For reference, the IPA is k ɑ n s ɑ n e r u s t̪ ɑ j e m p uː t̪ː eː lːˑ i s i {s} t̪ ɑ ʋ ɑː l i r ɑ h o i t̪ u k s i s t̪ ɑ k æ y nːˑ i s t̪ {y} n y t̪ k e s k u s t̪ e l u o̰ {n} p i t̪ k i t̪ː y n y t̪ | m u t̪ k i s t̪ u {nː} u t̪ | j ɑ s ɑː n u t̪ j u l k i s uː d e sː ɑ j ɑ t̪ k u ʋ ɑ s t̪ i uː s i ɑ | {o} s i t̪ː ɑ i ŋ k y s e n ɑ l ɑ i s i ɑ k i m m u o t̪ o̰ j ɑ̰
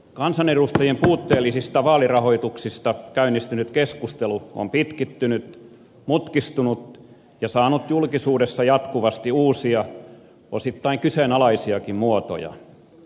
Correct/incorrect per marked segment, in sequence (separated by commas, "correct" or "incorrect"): correct, correct, incorrect, incorrect, correct